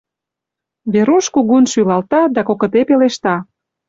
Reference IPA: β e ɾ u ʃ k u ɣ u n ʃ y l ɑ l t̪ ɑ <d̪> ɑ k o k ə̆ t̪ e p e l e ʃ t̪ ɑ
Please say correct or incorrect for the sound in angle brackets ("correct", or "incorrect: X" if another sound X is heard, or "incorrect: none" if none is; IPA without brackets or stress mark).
correct